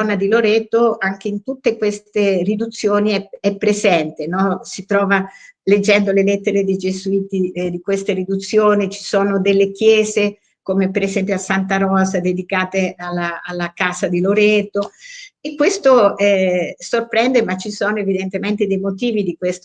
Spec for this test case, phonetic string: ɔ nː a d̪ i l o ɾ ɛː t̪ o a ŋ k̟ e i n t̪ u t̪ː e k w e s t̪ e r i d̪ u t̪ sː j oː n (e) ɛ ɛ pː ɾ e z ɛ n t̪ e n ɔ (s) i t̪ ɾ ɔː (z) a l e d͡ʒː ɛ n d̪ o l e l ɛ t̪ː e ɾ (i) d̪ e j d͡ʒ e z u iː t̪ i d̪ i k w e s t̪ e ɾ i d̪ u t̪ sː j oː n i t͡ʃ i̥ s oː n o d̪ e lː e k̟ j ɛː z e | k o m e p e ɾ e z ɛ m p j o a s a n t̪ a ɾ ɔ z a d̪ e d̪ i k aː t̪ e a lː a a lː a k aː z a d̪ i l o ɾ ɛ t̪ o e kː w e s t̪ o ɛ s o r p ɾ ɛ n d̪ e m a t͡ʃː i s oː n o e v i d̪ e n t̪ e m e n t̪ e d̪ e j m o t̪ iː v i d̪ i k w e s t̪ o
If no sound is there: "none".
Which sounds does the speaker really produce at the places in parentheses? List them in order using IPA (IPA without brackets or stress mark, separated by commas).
i, s, v, e